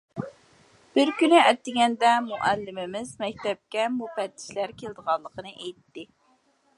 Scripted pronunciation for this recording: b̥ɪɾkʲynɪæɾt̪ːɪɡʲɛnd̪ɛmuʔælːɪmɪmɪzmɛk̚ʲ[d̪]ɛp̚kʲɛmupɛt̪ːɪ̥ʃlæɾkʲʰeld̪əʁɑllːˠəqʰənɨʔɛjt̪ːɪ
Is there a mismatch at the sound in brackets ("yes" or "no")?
yes